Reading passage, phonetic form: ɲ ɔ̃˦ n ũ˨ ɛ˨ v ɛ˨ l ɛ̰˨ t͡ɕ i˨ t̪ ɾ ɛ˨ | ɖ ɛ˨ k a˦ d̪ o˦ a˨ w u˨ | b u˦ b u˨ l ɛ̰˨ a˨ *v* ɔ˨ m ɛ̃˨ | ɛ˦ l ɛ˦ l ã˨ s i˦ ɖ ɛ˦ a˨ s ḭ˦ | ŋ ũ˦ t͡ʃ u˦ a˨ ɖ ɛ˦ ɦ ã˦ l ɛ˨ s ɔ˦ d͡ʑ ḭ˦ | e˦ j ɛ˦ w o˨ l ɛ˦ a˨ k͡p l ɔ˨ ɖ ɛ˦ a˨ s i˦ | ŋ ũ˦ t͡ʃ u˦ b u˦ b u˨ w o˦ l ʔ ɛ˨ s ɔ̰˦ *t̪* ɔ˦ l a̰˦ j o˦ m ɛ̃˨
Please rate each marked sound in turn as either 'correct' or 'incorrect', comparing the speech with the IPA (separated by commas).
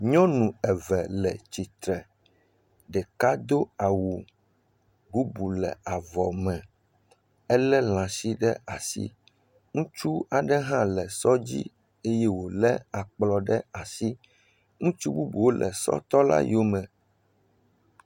correct, correct